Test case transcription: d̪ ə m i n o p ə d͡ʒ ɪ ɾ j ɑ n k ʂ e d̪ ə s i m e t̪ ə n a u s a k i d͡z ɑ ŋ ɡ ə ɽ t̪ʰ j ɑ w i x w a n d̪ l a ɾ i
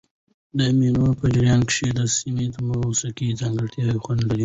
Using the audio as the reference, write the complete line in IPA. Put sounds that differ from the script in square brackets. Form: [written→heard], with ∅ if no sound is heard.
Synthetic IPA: d̪ ə m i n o p ə d͡ʒ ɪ ɾ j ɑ n k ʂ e d̪ ə s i m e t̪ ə [n→m] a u s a k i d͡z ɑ ŋ ɡ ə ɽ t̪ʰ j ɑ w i x w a n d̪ l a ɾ i